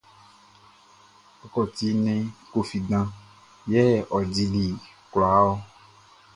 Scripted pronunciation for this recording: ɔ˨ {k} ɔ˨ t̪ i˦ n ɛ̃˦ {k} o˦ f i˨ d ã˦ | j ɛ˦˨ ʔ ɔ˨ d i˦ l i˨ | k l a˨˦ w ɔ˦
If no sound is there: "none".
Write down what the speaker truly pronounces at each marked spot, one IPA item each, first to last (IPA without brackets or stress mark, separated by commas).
k, k